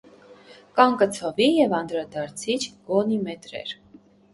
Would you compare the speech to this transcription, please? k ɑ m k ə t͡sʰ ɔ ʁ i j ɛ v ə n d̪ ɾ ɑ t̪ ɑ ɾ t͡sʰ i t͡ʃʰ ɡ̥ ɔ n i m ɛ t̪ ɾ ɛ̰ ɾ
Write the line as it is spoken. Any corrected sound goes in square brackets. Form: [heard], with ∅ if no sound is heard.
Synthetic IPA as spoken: k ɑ [ŋ] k ə t͡sʰ ɔ [v] i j ɛ v [ɑ] n d̪ ɾ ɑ [d̪] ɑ ɾ t͡sʰ i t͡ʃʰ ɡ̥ ɔ n i m ɛ t̪ ɾ ɛ̰ ɾ